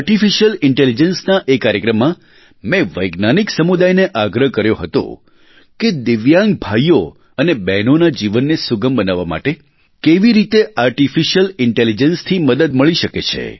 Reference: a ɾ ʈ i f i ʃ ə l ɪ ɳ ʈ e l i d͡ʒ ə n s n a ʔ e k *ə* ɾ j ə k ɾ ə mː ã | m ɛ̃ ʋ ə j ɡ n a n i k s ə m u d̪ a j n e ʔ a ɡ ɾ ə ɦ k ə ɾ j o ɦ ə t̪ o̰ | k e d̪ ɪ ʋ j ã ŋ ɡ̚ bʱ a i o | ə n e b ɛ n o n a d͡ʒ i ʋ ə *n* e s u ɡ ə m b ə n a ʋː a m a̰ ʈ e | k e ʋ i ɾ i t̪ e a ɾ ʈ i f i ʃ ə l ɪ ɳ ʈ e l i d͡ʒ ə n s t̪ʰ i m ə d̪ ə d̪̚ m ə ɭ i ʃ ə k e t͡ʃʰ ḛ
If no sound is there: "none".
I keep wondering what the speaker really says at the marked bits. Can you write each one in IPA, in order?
a, nː

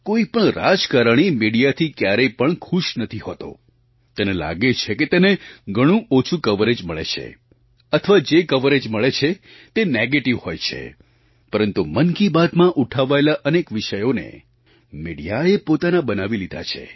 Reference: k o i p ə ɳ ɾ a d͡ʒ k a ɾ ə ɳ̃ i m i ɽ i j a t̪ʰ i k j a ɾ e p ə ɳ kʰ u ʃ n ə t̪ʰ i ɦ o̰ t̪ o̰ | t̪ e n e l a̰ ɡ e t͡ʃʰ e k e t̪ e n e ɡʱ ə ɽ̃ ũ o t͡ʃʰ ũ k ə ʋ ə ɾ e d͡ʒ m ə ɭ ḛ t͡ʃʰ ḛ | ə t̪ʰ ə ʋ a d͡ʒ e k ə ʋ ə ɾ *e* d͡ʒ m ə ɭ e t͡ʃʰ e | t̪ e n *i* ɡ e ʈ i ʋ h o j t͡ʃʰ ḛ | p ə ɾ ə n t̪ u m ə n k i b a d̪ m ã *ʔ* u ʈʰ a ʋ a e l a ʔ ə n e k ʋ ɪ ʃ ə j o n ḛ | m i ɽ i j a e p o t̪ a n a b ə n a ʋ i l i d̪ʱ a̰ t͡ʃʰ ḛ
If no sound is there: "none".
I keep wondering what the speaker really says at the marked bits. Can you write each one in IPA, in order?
e, e, ʔ

